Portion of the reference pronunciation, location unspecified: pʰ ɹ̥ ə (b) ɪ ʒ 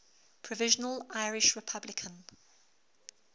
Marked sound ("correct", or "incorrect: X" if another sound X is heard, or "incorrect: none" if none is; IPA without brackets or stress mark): incorrect: v